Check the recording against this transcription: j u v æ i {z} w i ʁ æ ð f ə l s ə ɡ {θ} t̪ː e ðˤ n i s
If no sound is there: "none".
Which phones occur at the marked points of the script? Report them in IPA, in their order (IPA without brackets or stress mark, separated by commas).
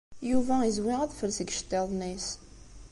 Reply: z, ʃ